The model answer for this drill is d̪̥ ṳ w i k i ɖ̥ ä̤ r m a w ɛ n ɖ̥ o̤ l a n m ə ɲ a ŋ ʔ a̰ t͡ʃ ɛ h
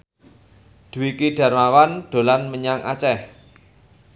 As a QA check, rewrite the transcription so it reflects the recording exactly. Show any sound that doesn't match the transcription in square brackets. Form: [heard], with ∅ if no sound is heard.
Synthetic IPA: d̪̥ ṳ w i k i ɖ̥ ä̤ r m a w [a] n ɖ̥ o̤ l a n m ə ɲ a ŋ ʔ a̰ t͡ʃ ɛ h